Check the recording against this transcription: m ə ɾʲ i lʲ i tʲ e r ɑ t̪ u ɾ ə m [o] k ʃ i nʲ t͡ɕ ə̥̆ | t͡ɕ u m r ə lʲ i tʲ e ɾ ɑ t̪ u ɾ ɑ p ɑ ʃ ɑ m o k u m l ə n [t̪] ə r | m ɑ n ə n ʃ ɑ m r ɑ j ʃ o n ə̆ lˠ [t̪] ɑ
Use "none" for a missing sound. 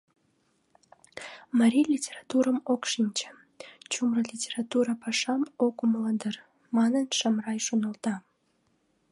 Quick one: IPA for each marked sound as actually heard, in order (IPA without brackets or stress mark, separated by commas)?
o, d̪, t̪